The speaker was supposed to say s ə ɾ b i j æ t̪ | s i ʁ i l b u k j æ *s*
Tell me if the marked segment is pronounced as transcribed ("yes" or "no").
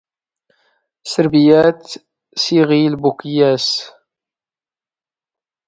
yes